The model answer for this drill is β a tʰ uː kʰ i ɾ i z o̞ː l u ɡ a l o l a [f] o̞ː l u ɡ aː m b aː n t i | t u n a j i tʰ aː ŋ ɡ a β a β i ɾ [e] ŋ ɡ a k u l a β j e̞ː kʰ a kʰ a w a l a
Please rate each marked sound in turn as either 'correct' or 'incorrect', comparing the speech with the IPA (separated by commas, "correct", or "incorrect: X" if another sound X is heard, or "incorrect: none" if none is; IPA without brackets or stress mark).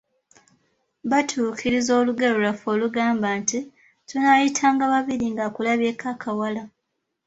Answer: correct, incorrect: i